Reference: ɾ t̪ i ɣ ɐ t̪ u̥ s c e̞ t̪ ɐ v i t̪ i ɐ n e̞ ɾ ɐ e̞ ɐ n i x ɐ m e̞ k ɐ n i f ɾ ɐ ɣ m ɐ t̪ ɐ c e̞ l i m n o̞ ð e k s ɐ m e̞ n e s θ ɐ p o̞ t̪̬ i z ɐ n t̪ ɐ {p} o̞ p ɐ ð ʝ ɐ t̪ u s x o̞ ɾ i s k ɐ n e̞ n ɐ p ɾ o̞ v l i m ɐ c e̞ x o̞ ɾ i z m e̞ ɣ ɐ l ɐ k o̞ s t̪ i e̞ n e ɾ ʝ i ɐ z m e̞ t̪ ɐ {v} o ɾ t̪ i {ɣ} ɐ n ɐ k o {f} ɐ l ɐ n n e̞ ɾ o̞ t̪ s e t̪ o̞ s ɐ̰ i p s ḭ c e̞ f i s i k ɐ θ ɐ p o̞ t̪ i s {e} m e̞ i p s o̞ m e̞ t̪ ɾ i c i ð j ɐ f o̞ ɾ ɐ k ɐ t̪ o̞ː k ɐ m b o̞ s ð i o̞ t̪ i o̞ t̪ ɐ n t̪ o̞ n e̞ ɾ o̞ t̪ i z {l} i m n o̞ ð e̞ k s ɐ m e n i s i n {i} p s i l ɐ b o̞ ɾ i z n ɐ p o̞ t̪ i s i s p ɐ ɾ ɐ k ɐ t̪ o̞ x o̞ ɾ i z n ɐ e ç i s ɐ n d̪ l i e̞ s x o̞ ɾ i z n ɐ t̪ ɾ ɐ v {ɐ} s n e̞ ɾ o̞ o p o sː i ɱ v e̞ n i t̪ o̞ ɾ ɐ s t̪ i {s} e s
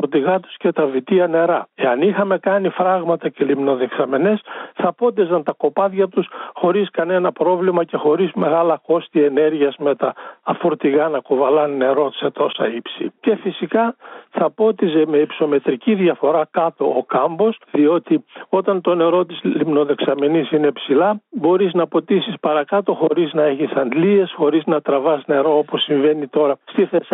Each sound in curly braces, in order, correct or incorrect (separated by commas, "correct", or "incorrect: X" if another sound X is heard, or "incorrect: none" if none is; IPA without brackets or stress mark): incorrect: k, incorrect: f, correct, incorrect: v, correct, correct, incorrect: e, correct, incorrect: θ